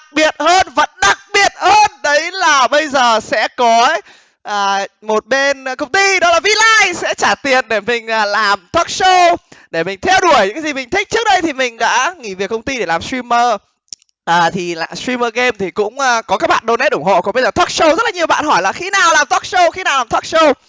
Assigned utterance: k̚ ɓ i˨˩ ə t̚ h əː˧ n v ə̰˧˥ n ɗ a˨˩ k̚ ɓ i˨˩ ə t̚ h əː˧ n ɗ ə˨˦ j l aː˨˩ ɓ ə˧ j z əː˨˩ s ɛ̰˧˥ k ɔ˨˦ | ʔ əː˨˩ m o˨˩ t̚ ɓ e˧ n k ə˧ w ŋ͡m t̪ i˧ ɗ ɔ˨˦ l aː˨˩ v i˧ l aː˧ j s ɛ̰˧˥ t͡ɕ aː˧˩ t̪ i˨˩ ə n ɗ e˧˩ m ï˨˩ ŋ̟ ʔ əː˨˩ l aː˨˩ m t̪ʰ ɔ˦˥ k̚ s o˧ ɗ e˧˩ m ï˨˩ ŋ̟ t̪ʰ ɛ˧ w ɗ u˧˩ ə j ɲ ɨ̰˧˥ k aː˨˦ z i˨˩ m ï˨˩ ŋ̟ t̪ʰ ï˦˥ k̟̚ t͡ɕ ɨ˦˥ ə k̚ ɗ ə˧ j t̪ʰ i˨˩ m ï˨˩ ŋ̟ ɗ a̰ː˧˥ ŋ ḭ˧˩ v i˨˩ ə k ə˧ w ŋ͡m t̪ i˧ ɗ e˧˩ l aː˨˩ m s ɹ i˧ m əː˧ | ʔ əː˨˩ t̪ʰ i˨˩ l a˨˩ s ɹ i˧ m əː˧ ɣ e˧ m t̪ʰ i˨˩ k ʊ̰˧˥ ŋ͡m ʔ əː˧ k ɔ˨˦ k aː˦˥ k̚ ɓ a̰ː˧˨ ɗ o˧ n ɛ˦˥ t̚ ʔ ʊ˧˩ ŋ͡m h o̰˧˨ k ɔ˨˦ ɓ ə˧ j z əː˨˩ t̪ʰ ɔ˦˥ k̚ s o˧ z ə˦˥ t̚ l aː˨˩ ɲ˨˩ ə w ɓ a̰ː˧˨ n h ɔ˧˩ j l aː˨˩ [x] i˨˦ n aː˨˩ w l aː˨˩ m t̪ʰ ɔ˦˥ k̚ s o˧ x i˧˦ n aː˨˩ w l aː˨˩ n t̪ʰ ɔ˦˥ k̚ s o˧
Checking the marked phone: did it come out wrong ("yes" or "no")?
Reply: no